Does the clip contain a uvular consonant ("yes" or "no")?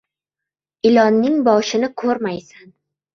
no